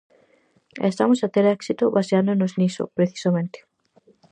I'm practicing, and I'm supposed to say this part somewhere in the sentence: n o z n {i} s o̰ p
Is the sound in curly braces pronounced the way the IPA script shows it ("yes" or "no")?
yes